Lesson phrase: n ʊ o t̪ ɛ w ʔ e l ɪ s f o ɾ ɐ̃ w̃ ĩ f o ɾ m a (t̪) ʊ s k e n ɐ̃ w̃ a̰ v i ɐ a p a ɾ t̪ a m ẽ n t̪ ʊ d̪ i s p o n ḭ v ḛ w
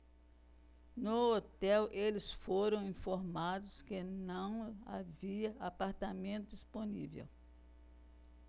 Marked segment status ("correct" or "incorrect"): incorrect